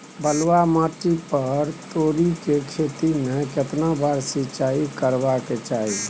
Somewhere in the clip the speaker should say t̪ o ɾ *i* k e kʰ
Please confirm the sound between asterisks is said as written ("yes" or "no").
yes